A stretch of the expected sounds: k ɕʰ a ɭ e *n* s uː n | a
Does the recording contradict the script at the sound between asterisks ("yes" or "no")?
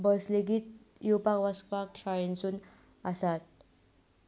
no